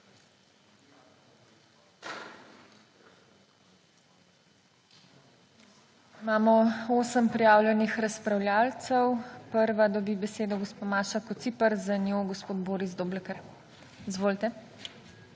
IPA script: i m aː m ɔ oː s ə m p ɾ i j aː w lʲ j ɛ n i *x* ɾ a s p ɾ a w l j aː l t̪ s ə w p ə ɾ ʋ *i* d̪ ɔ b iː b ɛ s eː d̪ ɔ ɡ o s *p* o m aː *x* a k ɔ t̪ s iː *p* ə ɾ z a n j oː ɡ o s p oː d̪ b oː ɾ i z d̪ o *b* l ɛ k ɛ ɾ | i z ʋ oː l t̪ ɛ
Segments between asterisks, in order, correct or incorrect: correct, incorrect, correct, incorrect, correct, correct

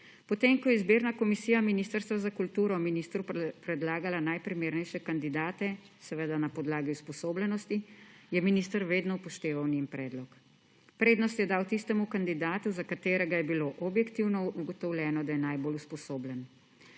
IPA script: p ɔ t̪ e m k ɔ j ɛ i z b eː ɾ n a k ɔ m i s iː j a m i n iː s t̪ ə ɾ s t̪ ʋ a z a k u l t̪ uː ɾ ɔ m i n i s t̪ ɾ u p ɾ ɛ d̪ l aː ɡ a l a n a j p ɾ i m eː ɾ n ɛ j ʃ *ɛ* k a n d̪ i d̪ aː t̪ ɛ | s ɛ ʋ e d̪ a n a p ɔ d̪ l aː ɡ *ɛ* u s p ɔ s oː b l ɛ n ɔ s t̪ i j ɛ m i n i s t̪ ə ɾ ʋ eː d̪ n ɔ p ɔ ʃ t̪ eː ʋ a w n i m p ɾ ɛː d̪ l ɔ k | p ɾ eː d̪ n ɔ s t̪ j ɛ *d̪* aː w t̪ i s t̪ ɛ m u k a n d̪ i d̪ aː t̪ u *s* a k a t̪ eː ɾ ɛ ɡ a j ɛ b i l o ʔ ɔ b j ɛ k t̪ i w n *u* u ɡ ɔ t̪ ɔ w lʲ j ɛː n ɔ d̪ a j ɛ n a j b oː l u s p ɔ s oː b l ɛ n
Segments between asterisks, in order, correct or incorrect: correct, incorrect, correct, incorrect, incorrect

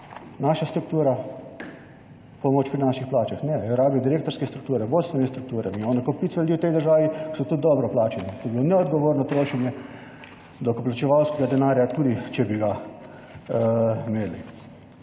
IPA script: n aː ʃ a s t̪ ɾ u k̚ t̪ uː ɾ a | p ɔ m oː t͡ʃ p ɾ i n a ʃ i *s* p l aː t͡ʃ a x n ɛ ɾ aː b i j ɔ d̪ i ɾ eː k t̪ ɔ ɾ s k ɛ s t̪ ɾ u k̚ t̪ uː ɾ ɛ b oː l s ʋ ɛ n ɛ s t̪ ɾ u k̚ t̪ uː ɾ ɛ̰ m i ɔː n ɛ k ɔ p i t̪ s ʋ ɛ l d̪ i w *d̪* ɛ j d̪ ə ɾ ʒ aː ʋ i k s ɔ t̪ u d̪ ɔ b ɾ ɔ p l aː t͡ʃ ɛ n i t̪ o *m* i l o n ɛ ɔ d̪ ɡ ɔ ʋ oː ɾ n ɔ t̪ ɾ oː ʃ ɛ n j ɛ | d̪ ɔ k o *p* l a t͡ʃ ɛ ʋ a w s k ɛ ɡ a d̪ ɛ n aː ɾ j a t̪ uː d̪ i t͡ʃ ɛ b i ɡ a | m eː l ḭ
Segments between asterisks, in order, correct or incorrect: incorrect, incorrect, incorrect, correct

